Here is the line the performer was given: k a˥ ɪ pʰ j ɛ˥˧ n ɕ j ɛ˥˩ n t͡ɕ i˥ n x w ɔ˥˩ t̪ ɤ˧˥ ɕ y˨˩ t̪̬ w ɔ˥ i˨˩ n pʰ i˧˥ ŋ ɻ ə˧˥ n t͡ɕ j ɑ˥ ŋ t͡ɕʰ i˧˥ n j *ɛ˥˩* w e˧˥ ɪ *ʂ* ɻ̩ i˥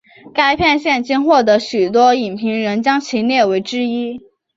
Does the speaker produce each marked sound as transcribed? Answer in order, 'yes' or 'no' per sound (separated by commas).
yes, no